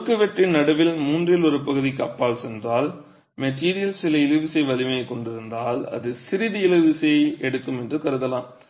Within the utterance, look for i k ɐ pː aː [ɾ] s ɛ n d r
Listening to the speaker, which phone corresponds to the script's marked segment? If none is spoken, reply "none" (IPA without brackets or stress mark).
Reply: l